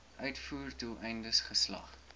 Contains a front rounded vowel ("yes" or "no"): yes